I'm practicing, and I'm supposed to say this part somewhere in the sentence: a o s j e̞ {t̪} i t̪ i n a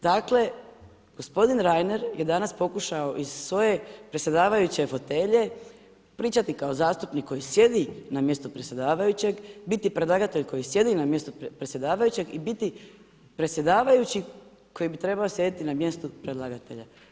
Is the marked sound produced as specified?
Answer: no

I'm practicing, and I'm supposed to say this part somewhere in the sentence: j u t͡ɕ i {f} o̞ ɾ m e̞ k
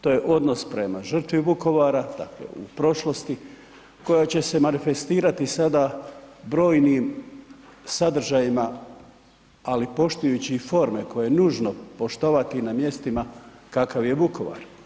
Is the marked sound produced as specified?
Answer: yes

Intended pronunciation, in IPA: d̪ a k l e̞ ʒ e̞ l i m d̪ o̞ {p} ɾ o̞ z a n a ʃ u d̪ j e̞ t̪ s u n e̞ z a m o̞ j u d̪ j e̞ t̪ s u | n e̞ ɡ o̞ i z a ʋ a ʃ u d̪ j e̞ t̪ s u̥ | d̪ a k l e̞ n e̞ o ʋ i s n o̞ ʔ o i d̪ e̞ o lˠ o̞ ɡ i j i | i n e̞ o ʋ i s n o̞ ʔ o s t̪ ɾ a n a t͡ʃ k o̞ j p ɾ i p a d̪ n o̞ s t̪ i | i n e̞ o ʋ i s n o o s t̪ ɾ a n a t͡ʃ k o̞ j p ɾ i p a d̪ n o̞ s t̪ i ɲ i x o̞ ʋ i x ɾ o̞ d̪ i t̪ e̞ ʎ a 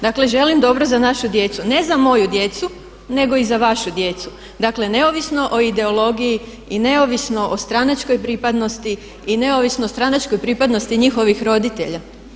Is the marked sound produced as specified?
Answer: no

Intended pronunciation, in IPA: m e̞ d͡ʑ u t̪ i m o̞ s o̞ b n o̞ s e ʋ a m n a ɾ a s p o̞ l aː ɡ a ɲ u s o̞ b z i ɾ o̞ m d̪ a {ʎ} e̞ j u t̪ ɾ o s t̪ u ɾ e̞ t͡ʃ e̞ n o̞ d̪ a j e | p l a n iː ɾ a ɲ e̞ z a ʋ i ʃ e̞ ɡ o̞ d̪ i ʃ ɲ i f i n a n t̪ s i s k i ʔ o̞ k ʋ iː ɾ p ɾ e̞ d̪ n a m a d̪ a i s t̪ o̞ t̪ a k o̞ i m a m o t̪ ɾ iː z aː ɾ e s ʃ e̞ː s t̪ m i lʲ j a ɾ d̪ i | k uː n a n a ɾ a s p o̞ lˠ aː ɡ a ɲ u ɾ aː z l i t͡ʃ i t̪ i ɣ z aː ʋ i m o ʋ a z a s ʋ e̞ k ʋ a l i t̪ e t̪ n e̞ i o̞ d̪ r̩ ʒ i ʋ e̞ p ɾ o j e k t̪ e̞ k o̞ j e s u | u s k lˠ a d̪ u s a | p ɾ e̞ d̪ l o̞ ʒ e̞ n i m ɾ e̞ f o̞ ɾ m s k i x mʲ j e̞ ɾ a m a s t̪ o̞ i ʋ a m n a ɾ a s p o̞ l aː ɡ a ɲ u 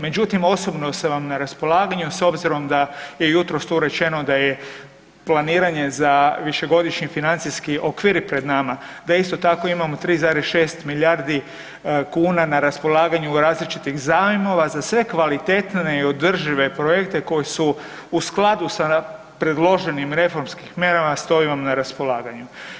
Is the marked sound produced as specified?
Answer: no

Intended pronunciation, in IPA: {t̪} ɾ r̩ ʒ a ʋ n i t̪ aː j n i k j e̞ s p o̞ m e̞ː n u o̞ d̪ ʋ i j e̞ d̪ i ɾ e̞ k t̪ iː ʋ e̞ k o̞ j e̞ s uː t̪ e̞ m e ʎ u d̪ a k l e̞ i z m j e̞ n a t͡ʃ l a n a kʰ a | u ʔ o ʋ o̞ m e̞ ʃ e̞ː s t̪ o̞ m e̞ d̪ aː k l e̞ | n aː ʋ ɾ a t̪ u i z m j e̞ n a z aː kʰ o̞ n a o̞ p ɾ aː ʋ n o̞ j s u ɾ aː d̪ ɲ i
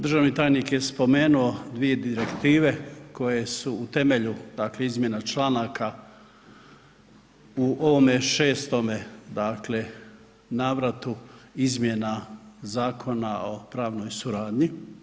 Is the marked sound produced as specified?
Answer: no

